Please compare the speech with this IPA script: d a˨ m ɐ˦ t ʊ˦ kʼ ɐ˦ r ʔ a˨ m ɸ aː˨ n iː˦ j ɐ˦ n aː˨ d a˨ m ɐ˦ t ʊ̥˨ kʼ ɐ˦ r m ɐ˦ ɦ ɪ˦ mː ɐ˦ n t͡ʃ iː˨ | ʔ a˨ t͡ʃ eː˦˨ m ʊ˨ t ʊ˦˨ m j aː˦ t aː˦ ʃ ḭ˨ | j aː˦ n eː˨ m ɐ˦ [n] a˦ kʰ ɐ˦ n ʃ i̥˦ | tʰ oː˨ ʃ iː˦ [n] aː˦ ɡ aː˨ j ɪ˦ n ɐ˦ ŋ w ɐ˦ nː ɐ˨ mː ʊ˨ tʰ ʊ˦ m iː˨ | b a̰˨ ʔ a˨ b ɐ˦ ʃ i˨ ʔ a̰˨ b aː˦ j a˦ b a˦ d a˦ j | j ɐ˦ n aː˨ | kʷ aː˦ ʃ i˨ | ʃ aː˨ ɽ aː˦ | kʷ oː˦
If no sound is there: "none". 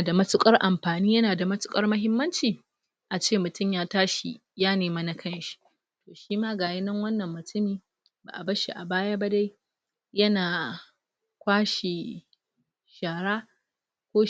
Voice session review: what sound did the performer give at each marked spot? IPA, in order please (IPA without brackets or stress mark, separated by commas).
n, m